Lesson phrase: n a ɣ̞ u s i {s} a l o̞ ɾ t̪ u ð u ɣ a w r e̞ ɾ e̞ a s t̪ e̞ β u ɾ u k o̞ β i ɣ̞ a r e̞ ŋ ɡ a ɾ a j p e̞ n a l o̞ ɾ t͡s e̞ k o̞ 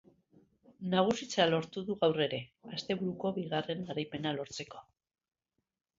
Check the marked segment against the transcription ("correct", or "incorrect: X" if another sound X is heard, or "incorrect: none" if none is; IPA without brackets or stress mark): incorrect: t͡s